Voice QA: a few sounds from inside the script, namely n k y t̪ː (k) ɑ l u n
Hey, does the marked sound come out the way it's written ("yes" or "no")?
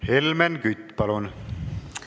no